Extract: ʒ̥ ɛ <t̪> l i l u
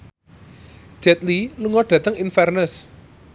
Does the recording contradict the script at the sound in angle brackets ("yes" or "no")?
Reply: no